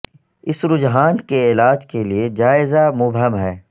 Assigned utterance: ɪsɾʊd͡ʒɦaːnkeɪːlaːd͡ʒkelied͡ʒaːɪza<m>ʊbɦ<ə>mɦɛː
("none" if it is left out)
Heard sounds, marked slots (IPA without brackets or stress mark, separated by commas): m, ə